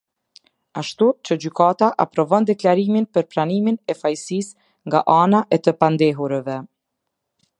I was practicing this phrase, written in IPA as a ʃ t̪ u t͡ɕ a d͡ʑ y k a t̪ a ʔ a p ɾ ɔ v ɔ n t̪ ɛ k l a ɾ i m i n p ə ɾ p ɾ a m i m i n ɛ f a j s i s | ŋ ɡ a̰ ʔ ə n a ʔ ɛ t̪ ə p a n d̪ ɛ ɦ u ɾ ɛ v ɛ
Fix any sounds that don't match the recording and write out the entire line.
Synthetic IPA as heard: a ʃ t̪ u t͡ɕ ə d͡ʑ y k a t̪ a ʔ a p ɾ ɔ v ɔ n d̪ ɛ k l a ɾ i m i n p ə ɾ p ɾ a n i m i n ɛ f a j s i s | ŋ ɡ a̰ ʔ a n a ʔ ɛ t̪ ə p a n d̪ ɛ ɦ u ɾ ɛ v ɛ